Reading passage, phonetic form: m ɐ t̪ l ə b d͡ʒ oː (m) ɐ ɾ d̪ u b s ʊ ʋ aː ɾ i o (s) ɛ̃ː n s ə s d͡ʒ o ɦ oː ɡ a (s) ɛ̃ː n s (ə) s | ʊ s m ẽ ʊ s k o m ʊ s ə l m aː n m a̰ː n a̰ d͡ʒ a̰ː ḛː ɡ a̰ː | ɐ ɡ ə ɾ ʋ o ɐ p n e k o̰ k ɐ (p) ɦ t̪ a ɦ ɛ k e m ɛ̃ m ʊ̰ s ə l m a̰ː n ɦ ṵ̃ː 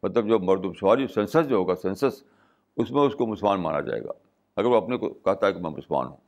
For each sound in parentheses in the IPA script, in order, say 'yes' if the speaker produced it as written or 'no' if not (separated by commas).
yes, yes, yes, yes, no